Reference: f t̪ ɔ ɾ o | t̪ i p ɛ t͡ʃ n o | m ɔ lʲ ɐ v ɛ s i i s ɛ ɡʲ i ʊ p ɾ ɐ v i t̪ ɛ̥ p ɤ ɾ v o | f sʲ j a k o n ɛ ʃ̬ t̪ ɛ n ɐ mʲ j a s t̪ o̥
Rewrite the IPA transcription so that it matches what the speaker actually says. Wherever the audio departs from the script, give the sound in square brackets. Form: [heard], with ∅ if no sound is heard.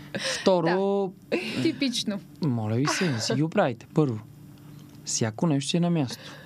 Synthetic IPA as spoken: f t̪ ɔ ɾ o | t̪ i p [i] t͡ʃ n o | m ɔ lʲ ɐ v [i] s [ɛ] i s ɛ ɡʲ i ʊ p ɾ [a] v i t̪ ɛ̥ p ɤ ɾ v o | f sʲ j a k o n ɛ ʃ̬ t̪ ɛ n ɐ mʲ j a s t̪ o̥